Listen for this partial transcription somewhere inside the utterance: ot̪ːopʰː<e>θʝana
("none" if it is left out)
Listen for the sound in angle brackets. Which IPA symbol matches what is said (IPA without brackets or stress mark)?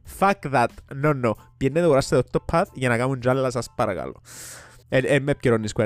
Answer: a